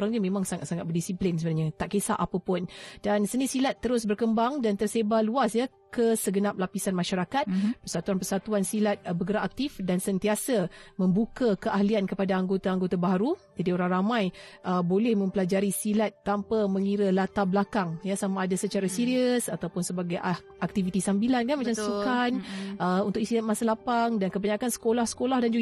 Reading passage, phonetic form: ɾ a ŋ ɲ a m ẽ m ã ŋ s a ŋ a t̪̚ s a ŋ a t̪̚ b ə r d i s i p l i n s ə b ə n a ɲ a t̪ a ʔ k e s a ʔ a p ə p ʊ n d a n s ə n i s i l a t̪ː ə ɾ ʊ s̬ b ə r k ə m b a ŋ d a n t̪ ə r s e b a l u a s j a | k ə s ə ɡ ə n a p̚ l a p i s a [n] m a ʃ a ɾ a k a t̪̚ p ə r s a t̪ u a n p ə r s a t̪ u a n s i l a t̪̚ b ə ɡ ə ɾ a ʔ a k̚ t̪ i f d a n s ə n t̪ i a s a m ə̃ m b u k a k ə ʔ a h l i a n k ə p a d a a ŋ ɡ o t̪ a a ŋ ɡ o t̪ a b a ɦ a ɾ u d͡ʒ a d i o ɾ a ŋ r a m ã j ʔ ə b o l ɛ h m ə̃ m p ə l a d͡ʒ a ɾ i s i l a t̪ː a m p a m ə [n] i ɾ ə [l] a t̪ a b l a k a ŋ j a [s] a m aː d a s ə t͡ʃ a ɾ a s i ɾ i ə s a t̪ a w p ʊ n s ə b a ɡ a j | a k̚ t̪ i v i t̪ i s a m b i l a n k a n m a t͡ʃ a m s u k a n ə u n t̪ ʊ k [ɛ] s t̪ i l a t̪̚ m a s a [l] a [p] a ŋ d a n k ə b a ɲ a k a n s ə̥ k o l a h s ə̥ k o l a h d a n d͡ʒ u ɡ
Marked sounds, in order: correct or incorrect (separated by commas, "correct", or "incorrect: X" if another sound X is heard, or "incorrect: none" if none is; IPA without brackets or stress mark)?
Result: correct, incorrect: ŋ, correct, correct, incorrect: i, correct, correct